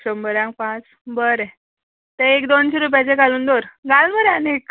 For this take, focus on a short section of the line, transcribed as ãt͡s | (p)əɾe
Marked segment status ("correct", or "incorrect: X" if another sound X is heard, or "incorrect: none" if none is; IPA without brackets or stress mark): incorrect: b